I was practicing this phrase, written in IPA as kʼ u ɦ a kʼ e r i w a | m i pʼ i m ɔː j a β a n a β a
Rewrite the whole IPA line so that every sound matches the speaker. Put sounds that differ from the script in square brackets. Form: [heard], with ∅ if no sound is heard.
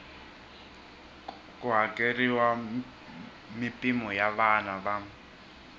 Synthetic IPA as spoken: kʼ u ɦ a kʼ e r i w a | m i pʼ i m [ɔ] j a β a n a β a